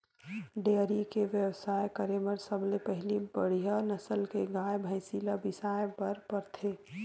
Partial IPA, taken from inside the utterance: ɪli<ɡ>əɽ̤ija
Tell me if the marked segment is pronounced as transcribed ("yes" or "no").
no